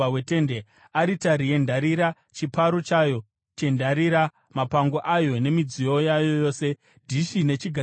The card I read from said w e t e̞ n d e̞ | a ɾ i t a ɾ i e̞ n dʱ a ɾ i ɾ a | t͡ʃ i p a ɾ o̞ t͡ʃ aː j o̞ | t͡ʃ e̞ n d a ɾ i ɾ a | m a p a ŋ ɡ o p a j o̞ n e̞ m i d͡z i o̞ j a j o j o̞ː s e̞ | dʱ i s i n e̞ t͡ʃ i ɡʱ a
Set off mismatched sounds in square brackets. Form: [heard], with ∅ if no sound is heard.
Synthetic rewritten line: w e t e̞ n d e̞ | a ɾ i t a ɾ i e̞ n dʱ a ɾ i ɾ a | t͡ʃ i p a ɾ o̞ t͡ʃ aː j o̞ | t͡ʃ e̞ n d a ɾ i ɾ a | m a p a ŋ ɡ o [ʔ] a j o̞ n e̞ m i d͡z i o̞ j a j o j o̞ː s e̞ | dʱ i [ʃ] i n e̞ t͡ʃ i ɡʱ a